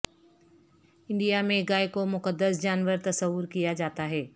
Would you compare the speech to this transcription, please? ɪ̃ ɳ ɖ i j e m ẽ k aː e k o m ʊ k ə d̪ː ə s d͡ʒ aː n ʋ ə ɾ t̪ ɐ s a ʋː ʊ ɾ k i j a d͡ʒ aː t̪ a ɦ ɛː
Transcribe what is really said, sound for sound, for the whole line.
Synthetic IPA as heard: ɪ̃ ɳ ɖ i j a m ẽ ɡ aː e k o m ʊ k ə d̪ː ə s d͡ʒ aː n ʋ ə ɾ t̪ ɐ s ə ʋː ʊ ɾ k i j a d͡ʒ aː t̪ a ɦ ɛː